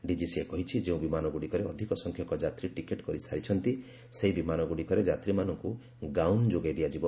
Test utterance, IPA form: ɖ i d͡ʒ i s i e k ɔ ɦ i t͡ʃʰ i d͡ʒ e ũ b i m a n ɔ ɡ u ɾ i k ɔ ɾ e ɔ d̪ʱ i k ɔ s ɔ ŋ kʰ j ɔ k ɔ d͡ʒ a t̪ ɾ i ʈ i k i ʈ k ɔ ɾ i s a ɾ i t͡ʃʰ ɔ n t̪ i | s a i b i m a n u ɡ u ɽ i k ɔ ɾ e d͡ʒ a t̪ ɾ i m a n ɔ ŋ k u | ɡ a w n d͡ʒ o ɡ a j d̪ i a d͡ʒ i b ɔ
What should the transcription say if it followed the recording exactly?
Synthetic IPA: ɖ i d͡ʒ i s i e k ɔ ɦ i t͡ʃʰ i d͡ʒ e ũ b i m a n ɔ ɡ u ɽ i k ɔ ɾ e ɔ d̪ʱ i k ɔ s ɔ ŋ kʰ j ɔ k ɔ d͡ʒ a t̪ ɾ i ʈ i k e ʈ k ɔ ɾ i s a ɾ i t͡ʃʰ ɔ n t̪ i | s e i b i m a n ɔ ɡ u ɽ i k ɔ ɾ e d͡ʒ a t̪ ɾ i m a n ɔ ŋ k u | ɡ a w n d͡ʒ o ɡ a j d̪ i a d͡ʒ i b ɔ